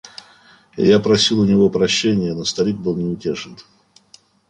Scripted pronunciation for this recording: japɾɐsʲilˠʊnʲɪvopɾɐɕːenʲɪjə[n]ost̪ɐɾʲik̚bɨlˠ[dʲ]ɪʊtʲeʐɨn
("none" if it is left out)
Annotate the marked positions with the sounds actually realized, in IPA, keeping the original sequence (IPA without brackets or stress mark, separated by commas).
n, nʲ